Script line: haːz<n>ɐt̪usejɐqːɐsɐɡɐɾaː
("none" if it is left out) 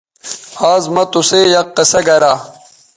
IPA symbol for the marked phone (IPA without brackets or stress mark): m